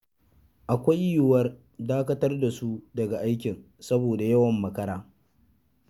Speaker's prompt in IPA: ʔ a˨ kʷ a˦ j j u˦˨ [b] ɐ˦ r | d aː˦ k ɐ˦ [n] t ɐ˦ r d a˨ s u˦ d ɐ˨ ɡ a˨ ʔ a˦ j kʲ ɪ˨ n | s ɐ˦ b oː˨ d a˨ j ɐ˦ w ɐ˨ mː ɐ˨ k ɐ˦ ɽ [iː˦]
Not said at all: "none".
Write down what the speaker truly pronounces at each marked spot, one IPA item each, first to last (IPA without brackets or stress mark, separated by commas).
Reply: w, none, aː˦